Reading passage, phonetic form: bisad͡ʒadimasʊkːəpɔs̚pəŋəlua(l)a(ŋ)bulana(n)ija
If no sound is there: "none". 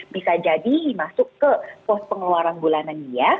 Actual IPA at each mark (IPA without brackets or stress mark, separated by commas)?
ɾ, n, n